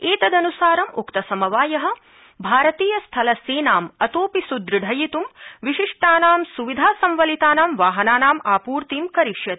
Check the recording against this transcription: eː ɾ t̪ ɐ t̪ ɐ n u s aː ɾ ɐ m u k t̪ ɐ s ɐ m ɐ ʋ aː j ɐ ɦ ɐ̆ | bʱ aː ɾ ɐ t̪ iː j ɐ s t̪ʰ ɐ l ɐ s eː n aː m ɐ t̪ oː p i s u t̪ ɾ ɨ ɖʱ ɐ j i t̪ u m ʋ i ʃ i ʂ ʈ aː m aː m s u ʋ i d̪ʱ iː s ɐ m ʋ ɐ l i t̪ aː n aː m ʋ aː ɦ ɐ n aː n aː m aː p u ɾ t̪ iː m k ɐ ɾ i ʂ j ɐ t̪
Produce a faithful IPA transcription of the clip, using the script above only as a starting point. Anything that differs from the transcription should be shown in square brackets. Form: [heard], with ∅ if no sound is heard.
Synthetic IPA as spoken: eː [∅] t̪ ɐ [d̪] ɐ n u s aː ɾ ɐ m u k t̪ ɐ s ɐ m ɐ ʋ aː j ɐ ɦ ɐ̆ | bʱ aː ɾ ɐ t̪ iː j ɐ s t̪ʰ ɐ l ɐ s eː n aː m ɐ t̪ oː p i s u [d̪] ɾ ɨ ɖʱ ɐ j i t̪ u m ʋ i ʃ i ʂ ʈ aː [n] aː m s u ʋ i d̪ʱ [aː] s ɐ m ʋ ɐ l i t̪ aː n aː m ʋ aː ɦ ɐ n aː n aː m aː p [uː] ɾ t̪ iː m k ɐ ɾ i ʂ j ɐ t̪